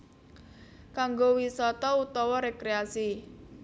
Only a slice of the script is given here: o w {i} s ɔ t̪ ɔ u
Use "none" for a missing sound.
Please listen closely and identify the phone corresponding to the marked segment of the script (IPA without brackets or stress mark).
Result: i